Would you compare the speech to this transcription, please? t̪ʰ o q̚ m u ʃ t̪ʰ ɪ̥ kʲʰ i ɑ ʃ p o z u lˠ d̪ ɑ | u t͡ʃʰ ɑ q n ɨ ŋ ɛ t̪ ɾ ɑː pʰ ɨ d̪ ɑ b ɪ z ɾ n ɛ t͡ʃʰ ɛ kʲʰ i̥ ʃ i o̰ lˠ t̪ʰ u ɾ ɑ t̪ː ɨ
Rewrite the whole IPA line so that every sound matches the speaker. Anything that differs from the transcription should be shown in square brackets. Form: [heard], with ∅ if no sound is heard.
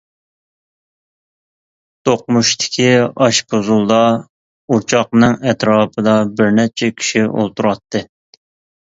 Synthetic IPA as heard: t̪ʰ o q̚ m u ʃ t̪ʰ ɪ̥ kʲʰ i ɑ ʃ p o z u lˠ d̪ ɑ | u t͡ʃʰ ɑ q n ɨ ŋ ɛ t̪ ɾ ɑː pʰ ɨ d̪ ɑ b ɪ [∅] ɾ n ɛ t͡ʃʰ ɛ kʲʰ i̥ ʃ i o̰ lˠ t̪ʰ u ɾ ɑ t̪ː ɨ